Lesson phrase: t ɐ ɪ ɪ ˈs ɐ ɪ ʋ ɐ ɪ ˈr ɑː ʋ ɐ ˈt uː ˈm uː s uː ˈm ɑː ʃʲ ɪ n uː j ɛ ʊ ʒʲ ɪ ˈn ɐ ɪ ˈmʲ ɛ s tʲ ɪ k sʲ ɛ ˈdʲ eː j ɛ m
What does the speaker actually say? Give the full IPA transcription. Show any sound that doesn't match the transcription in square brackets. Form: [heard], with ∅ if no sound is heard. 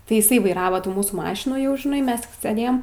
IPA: t ɐ ɪ ɪ ˈs ɐ ɪ ʋ ɐ ɪ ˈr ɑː ʋ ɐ ˈt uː ˈm uː s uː ˈm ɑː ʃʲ ɪ n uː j ɛ ʊ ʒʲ ɪ ˈn ɐ ɪ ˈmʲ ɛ s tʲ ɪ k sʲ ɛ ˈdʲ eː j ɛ m